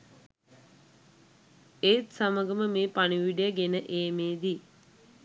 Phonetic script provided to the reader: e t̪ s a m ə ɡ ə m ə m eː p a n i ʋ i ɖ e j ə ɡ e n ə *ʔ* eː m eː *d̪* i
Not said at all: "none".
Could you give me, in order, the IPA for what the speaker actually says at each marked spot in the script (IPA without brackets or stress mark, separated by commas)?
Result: ʔ, d̪